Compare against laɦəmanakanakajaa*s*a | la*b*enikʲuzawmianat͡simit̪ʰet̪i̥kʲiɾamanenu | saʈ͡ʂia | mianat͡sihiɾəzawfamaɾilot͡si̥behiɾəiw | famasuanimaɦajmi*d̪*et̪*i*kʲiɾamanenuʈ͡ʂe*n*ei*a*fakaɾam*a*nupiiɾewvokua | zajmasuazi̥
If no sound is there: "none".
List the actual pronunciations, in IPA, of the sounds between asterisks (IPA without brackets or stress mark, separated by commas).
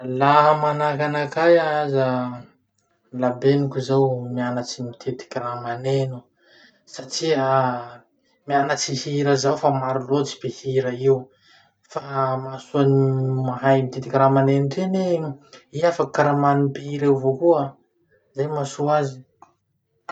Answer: z, b, t̪, i, n, a, a